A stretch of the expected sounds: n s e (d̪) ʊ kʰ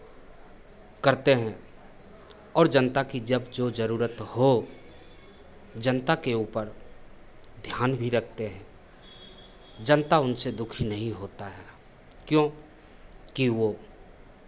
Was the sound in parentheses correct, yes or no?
yes